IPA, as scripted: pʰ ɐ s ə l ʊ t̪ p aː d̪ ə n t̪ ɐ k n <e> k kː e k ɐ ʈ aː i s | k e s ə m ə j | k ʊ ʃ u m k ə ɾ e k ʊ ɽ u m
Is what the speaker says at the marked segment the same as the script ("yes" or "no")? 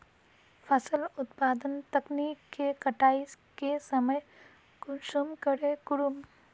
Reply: no